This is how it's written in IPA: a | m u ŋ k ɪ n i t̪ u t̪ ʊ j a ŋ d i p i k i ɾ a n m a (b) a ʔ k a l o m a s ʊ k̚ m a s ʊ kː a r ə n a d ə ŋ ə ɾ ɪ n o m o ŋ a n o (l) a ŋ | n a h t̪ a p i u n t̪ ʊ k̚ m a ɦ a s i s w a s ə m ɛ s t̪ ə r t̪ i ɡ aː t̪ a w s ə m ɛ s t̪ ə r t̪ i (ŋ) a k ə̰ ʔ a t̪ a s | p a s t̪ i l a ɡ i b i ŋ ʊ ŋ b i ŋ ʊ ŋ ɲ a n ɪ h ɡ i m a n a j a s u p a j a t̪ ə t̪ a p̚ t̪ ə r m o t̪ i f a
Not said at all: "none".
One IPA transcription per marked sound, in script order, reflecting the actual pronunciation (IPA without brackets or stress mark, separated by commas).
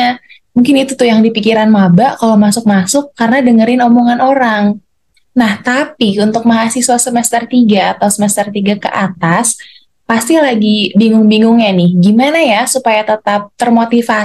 b, ɾ, ɡ